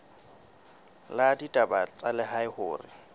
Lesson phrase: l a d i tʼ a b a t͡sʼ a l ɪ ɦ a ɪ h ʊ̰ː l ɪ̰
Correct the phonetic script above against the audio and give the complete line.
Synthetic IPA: l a d i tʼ a b a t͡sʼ a l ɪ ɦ a ɪ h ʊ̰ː r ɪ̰